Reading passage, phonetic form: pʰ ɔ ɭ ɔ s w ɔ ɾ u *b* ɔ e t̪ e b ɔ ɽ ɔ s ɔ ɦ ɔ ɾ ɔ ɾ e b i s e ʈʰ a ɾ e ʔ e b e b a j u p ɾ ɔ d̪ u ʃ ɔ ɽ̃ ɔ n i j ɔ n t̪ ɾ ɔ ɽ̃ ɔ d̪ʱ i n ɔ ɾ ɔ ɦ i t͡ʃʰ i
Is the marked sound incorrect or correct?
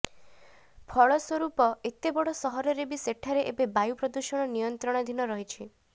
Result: incorrect